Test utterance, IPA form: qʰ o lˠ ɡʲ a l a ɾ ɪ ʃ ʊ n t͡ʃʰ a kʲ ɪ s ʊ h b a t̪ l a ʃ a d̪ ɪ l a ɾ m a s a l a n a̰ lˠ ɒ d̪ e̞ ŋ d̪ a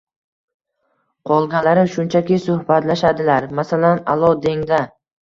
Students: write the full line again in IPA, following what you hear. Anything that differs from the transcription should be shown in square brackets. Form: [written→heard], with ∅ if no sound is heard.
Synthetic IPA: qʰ [o→ɒ] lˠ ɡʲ a l a ɾ ɪ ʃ ʊ n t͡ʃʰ a kʲ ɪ s ʊ h b a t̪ l a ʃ a d̪ ɪ l a ɾ m a s a l a n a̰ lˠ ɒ d̪ e̞ ŋ d̪ a